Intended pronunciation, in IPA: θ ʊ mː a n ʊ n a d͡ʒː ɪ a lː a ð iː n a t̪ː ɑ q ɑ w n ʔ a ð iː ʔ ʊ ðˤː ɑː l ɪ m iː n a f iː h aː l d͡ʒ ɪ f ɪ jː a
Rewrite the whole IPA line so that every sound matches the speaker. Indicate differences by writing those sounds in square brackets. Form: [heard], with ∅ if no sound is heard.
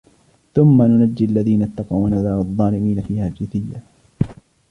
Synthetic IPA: θ ʊ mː a n ʊ n a d͡ʒː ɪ a lː a ð iː n a t̪ː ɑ q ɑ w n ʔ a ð [aː] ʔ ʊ ðˤː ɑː l ɪ m iː n a f iː h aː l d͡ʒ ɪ [θ] ɪ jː a